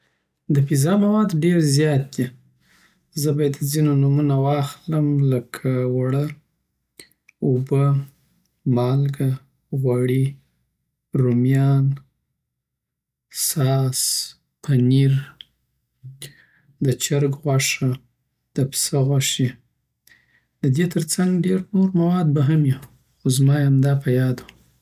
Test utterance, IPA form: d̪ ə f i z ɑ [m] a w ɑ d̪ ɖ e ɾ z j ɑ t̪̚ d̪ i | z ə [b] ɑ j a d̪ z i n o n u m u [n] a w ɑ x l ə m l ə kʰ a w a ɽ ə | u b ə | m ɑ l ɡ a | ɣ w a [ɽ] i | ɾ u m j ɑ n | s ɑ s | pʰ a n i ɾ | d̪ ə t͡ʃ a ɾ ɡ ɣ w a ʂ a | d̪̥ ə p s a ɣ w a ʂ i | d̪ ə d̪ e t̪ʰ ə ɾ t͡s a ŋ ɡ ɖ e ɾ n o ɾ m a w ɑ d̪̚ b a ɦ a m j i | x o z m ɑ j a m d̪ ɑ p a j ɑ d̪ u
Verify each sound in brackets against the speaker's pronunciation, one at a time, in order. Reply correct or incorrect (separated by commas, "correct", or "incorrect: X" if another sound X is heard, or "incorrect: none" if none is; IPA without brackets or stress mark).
correct, correct, correct, correct